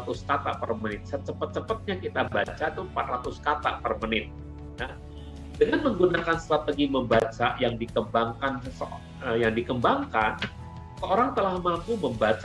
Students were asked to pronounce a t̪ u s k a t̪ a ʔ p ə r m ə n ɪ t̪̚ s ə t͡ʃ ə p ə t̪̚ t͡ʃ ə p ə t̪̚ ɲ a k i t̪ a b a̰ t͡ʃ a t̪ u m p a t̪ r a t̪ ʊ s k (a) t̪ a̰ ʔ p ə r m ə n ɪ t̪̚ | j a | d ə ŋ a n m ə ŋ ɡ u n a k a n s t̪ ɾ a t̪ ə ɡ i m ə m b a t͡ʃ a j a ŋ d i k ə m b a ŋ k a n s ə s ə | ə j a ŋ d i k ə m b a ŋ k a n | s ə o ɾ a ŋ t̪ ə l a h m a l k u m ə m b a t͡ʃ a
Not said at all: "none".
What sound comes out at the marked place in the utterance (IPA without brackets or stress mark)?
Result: a